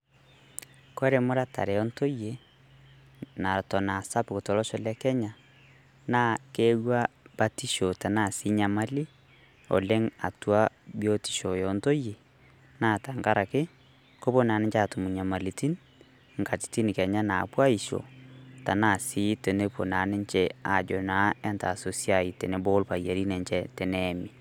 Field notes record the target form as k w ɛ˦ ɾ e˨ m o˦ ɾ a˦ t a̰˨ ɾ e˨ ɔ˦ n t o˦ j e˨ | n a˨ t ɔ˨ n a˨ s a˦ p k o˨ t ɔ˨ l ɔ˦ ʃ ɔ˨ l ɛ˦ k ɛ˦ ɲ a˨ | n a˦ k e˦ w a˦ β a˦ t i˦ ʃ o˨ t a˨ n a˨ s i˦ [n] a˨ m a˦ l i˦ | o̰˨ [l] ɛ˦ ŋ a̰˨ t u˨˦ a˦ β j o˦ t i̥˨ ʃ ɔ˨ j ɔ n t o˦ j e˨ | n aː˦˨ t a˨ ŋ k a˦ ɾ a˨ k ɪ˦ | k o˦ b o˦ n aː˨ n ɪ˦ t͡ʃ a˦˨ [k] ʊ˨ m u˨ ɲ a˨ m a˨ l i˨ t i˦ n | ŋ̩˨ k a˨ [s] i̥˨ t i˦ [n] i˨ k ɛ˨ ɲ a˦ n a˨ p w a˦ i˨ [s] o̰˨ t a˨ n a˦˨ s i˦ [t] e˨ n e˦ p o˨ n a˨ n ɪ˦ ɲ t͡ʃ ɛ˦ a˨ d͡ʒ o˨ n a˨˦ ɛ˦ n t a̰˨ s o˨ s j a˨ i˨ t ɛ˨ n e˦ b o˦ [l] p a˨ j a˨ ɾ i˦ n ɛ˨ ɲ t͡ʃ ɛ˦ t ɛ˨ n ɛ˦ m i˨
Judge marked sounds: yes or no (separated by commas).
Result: no, yes, no, no, yes, no, yes, yes